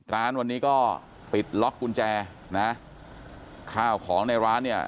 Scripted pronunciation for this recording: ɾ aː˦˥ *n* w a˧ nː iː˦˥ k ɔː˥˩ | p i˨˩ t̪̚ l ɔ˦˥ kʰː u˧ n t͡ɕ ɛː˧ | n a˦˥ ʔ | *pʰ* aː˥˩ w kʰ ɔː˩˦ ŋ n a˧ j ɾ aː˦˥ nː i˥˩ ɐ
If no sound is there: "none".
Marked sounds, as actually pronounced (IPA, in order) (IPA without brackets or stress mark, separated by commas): n, kʰ